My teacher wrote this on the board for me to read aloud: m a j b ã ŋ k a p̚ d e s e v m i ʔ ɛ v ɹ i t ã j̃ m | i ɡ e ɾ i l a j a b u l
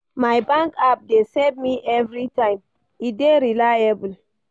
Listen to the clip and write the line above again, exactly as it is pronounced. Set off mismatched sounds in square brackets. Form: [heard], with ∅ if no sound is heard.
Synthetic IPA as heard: m a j b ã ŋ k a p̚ d e s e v m i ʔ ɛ v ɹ i t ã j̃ m | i [d] e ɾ i l a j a b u l